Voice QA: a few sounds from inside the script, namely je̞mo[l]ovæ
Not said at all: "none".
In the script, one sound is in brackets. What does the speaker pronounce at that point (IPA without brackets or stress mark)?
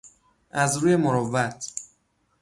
ɾ